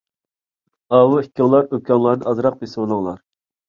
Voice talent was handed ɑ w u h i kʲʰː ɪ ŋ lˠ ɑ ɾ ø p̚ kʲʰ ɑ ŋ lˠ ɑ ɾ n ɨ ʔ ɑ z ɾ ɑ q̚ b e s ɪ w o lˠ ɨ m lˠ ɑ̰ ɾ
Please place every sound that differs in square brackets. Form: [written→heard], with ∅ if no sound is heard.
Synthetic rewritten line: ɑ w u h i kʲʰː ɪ ŋ lˠ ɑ ɾ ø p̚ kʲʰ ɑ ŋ lˠ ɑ ɾ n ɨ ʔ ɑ z ɾ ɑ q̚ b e s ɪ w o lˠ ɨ [m→ŋ] lˠ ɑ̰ ɾ